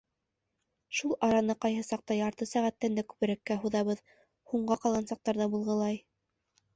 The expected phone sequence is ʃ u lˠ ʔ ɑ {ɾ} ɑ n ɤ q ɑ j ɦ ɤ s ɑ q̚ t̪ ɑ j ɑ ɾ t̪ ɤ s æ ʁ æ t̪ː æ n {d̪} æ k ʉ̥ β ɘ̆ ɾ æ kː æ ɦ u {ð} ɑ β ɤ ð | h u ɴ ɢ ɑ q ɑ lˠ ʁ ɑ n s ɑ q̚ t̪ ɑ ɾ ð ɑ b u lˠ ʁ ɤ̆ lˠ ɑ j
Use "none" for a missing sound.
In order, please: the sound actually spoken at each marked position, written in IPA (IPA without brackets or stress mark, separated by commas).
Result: ɾ, d̪, ð